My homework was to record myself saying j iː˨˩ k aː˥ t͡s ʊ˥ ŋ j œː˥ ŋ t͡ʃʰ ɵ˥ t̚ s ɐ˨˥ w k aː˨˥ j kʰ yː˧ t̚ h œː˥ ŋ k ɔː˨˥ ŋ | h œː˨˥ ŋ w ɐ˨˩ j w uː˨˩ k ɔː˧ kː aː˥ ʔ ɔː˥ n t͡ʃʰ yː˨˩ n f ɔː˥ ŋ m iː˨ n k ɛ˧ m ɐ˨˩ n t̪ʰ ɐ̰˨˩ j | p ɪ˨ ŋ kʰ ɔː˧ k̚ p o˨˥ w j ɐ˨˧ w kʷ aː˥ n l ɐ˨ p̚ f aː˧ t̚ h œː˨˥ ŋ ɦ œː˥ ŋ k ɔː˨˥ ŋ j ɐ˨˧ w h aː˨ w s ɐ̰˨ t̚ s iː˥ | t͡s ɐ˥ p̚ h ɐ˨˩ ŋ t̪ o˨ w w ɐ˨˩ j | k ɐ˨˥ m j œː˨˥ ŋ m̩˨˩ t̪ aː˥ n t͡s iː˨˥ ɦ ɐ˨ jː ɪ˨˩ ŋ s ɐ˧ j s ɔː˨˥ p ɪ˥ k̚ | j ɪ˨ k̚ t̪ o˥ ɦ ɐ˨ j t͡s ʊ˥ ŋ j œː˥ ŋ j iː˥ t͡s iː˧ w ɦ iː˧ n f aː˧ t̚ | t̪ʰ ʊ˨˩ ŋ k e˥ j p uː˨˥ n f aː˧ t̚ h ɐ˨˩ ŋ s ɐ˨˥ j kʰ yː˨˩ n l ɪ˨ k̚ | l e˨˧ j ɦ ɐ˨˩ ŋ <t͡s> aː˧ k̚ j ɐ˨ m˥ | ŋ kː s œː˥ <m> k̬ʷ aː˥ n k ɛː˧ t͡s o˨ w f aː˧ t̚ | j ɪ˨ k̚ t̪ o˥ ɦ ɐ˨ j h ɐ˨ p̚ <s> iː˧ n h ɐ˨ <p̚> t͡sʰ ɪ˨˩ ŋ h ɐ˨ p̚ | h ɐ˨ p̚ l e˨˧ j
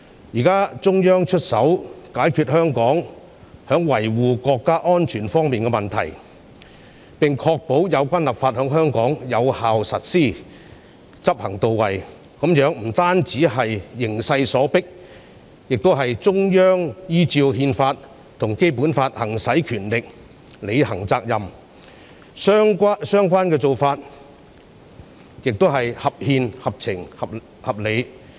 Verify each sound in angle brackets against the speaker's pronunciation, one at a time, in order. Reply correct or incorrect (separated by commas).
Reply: correct, incorrect, incorrect, correct